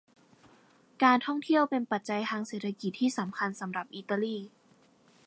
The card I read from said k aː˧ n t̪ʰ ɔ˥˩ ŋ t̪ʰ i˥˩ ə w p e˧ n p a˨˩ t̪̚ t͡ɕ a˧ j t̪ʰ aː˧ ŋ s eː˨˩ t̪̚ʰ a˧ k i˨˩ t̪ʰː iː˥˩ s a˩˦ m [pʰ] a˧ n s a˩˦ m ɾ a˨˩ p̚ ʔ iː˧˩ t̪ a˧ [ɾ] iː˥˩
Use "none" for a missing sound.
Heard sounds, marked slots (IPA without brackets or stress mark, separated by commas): kʰ, l